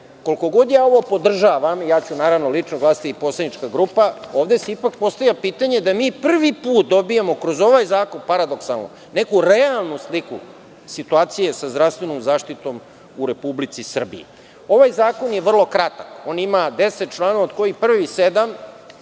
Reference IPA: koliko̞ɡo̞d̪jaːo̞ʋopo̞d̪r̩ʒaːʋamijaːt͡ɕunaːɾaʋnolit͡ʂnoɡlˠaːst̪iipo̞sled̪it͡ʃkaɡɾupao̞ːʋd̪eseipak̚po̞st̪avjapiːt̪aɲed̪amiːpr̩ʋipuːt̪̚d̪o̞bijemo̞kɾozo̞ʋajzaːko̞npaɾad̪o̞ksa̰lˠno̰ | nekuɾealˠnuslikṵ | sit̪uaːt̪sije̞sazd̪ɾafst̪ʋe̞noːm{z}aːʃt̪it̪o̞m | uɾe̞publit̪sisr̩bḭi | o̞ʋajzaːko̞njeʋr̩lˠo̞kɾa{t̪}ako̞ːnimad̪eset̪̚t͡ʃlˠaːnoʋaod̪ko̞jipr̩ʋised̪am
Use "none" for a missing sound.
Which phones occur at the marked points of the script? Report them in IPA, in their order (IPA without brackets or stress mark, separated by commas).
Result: z, t̪